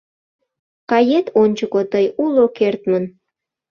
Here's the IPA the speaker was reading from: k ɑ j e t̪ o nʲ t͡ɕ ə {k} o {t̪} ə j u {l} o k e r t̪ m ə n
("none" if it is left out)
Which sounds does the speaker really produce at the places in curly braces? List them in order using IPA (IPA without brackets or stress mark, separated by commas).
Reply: k, t̪, l